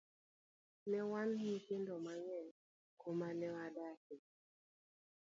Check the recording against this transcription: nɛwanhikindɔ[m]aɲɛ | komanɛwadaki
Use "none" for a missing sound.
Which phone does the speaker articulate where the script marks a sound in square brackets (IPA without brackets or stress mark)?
m